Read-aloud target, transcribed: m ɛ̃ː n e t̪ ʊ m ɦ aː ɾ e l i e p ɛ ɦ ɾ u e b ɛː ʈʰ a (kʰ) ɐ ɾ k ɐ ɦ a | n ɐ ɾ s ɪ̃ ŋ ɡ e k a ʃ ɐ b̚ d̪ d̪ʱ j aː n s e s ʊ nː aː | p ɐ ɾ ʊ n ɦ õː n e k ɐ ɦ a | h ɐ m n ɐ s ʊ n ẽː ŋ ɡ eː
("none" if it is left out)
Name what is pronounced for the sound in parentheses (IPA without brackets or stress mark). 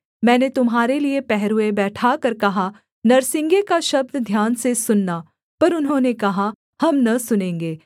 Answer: k